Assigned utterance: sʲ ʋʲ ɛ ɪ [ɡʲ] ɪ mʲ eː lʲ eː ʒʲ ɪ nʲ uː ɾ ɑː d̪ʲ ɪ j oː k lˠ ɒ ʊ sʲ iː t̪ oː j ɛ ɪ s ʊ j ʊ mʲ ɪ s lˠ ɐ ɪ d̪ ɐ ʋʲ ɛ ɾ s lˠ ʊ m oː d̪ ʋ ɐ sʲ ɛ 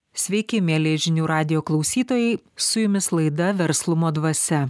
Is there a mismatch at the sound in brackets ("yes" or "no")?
yes